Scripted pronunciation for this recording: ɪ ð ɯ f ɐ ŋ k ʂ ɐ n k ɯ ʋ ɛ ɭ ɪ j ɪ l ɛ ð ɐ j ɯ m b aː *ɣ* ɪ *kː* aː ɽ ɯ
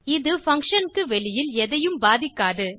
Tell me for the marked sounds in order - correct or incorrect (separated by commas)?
incorrect, correct